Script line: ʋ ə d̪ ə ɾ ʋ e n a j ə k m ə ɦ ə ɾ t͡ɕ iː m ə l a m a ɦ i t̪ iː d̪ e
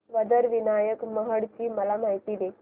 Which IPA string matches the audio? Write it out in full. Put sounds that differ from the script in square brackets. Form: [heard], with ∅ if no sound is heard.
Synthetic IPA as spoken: ʋ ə d̪ ə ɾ ʋ [i] n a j ə k m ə ɦ ə [ɽ] t͡ɕ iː m ə l a m a ɦ i t̪ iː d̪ e

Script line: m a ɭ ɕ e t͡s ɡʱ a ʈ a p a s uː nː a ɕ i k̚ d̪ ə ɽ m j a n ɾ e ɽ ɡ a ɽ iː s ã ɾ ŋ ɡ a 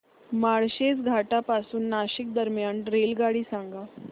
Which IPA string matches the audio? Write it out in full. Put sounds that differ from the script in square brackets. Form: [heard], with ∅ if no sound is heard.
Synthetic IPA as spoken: m a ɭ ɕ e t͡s ɡʱ a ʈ a p a s uː nː a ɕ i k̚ d̪ ə [ɾ] m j a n ɾ e [l] ɡ a ɽ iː s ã [∅] ŋ ɡ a

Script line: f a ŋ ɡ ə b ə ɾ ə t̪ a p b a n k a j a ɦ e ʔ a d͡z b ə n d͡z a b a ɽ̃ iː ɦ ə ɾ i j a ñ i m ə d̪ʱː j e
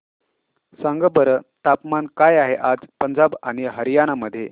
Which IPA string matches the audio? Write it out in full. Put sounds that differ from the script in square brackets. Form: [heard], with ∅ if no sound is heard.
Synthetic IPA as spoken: [s] a ŋ ɡ ə b ə ɾ ə t̪ a p [m] a n k a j a ɦ e ʔ a d͡z [p] ə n d͡z a b a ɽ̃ [i] ɦ ə ɾ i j a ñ [a] m ə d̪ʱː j e

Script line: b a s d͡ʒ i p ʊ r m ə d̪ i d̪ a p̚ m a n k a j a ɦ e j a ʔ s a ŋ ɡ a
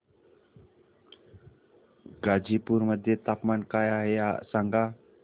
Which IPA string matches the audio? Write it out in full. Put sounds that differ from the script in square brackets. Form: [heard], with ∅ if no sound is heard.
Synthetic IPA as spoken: [ɡ] a [∅] d͡ʒ i p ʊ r m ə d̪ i [t̪] a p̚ m a n k a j a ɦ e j a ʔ s a ŋ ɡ a

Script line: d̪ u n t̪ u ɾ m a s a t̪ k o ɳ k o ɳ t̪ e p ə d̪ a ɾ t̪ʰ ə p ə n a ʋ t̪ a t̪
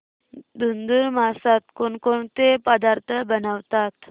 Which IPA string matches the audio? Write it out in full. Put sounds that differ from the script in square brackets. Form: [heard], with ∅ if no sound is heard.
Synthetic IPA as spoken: d̪ u n [d̪] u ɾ m a s a t̪ k o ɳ k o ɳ t̪ e p ə d̪ a ɾ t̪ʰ ə [b] ə n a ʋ t̪ a t̪

